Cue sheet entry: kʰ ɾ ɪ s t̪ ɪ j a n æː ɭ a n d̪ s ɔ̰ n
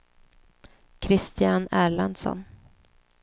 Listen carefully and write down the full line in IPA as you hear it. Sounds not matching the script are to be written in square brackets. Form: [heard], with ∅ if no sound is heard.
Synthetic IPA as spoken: kʰ ɾ ɪ s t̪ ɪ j a n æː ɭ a n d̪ s ɔ̰ n